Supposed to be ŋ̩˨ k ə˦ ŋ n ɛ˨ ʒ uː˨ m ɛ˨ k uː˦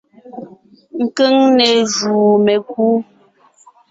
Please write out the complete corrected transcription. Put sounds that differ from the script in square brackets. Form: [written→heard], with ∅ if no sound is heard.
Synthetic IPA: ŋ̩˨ k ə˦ ŋ n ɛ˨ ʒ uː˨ m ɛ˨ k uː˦